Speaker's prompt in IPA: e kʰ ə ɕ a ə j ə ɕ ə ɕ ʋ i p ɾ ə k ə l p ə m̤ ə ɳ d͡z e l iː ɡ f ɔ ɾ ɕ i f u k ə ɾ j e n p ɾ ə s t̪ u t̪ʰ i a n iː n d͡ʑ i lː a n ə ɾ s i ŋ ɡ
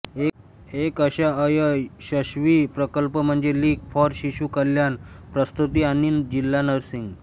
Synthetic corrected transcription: e k ə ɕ a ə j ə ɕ ə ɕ ʋ i p ɾ ə k ə l p ə m̤ ə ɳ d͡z e l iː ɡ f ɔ ɾ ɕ i ɕ u k ə l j a n p ɾ ə s t̪ u t̪ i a n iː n d͡ʑ i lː a n ə ɾ s i ŋ ɡ